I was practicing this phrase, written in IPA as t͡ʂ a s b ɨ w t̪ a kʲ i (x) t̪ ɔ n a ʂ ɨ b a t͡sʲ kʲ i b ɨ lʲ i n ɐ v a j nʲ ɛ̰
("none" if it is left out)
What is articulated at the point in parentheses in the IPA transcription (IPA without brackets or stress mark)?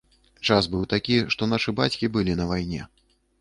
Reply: ʂ